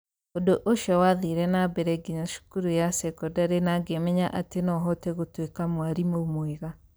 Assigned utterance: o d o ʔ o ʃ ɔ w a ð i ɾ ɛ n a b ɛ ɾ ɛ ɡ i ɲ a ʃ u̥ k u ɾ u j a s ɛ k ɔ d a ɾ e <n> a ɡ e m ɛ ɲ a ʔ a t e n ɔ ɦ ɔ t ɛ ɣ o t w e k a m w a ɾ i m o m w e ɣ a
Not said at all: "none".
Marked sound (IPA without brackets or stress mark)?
n